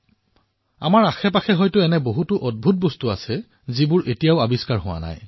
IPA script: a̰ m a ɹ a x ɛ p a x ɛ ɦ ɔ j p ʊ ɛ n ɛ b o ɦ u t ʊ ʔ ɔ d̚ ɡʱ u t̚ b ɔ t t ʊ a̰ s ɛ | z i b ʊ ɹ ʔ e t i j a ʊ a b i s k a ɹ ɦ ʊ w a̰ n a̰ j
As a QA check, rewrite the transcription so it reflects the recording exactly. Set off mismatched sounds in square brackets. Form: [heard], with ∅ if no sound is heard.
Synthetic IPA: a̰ m a ɹ a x ɛ p a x ɛ ɦ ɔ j [t] ʊ ɛ n ɛ b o ɦ u t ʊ ʔ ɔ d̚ [bʱ] u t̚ b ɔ [s] t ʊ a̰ s ɛ | z i b ʊ ɹ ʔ e t i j a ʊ a b i s k a ɹ ɦ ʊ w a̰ n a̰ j